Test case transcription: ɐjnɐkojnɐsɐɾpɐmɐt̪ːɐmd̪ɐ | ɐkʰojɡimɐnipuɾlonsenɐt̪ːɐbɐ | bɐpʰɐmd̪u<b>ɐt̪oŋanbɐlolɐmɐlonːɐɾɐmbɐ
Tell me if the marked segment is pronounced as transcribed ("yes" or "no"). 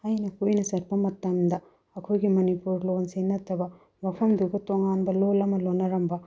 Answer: no